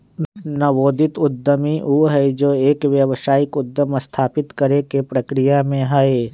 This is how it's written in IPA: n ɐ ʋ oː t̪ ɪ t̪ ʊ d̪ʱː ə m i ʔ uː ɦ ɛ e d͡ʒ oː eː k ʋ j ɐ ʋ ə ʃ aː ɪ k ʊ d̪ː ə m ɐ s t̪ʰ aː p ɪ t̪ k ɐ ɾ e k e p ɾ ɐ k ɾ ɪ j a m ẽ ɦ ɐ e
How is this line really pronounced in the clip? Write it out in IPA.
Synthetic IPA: n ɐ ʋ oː d̪ ɪ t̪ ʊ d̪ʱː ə m i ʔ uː ɦ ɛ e d͡ʒ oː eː k ʋ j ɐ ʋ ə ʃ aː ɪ k ʊ d̪ː ə m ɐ s t̪ʰ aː p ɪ t̪ k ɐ ɾ e k e p ɾ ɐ k ɾ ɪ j a m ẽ ɦ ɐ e